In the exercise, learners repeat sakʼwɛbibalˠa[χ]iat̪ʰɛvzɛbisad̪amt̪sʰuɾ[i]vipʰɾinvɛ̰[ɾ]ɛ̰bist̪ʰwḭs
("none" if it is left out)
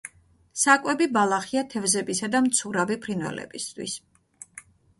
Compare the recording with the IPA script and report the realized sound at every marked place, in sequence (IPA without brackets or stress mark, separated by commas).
χ, a, l